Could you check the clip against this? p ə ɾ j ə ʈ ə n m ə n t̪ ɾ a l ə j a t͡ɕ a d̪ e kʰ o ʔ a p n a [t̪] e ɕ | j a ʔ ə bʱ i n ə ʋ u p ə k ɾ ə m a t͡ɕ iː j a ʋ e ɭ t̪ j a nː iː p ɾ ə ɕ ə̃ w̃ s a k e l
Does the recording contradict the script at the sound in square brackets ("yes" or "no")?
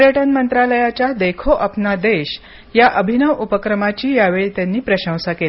yes